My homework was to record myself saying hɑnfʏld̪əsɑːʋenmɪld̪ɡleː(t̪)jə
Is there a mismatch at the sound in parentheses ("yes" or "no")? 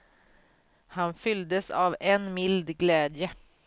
yes